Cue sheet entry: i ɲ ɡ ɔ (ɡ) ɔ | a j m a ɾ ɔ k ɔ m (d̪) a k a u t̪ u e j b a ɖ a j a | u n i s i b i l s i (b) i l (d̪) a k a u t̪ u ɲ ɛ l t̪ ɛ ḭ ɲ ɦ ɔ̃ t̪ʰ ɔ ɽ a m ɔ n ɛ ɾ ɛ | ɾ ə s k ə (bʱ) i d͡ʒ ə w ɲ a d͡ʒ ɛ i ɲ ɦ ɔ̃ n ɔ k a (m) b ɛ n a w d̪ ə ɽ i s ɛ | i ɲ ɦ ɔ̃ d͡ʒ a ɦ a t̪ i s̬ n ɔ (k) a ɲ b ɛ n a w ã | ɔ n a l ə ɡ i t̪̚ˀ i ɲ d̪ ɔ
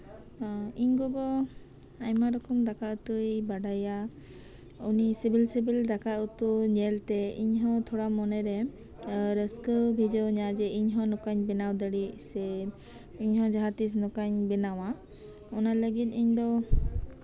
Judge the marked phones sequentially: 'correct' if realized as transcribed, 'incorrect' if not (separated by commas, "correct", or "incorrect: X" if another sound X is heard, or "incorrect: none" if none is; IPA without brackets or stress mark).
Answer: correct, correct, correct, correct, correct, incorrect: ɲ, correct